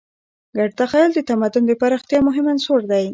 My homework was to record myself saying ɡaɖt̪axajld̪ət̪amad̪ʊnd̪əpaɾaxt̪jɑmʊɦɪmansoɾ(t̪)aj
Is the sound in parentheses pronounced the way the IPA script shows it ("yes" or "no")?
no